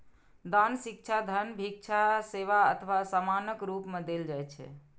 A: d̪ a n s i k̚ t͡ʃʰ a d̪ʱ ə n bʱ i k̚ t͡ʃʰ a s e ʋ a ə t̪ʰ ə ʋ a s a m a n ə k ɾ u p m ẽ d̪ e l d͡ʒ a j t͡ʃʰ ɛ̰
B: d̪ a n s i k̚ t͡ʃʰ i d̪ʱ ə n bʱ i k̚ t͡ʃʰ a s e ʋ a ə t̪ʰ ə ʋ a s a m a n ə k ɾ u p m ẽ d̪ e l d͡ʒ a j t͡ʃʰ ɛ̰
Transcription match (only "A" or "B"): A